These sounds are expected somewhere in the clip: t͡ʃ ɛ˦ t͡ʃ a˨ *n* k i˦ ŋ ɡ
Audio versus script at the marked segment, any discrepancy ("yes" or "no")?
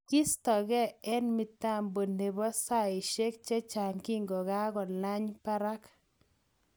yes